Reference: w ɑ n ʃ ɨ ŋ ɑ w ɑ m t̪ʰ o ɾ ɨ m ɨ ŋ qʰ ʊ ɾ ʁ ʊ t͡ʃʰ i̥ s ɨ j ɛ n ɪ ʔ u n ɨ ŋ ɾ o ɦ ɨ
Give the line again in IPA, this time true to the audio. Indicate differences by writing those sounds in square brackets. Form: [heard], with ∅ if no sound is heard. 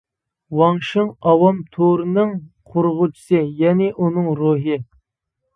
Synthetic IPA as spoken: w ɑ [ŋ] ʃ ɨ ŋ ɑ w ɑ m t̪ʰ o ɾ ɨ [n] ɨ ŋ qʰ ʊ ɾ ʁ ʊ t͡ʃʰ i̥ s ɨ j ɛ n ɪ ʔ u n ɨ ŋ ɾ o ɦ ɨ